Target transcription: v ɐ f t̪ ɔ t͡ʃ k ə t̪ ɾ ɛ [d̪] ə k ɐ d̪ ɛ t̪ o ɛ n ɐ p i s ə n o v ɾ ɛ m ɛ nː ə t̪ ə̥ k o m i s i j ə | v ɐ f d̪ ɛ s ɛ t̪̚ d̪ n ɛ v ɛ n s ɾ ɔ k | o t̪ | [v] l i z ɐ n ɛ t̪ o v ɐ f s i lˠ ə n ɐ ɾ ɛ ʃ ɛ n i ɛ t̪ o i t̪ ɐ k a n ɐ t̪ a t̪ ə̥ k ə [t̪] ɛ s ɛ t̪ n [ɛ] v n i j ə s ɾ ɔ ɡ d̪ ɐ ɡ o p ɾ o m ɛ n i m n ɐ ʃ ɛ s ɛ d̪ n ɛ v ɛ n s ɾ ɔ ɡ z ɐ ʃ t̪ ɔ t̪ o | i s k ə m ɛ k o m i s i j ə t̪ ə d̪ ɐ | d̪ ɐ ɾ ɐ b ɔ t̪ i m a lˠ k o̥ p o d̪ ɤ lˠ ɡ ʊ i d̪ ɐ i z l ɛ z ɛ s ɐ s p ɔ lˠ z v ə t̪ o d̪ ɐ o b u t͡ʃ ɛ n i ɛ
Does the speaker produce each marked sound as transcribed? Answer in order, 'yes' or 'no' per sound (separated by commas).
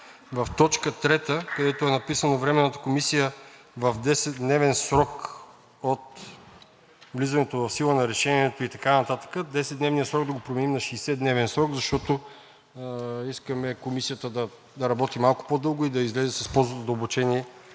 no, yes, no, yes